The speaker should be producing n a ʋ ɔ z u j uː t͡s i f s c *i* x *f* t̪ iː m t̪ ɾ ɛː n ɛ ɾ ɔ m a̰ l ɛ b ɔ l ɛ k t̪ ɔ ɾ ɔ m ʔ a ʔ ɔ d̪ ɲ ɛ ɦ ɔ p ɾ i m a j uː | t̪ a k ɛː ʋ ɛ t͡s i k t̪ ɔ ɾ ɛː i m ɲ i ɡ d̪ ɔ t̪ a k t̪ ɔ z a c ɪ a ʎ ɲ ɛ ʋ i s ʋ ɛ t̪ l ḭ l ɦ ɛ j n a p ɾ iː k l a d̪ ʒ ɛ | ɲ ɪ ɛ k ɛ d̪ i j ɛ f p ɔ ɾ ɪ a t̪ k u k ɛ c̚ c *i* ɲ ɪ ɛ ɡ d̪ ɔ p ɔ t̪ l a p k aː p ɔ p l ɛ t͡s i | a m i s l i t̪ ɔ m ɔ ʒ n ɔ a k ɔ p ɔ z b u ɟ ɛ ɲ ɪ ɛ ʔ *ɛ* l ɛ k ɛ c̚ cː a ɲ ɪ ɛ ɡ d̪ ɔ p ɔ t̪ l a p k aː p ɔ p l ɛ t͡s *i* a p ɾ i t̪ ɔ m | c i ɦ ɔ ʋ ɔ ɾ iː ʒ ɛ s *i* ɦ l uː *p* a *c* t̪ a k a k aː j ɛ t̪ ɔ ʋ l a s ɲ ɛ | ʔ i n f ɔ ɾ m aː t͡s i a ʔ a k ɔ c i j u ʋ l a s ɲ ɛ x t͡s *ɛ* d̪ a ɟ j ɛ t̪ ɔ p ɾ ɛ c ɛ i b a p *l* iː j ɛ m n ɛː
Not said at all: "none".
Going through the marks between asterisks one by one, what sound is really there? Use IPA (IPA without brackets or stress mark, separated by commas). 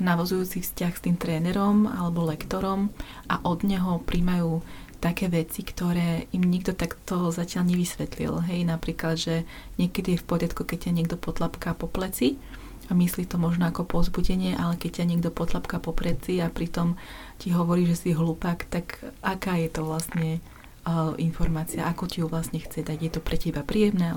a, s, a, a, i, i, p, k, ɛ, ɾ